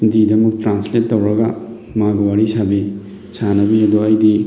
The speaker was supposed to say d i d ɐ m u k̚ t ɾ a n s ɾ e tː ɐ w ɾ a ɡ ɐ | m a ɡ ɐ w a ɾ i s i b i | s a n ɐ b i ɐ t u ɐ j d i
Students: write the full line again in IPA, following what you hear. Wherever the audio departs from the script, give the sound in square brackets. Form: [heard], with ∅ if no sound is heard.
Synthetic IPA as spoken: d i d ɐ m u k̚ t ɾ a n s [l] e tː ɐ w ɾ [ɐ] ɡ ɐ | m a ɡ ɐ w a ɾ i s [a] b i | s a n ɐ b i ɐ [d] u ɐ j d i